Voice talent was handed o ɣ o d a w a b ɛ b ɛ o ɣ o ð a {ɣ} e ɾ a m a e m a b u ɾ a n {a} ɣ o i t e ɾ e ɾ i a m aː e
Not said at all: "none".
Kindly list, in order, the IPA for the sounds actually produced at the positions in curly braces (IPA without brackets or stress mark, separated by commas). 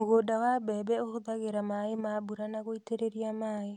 ɣ, a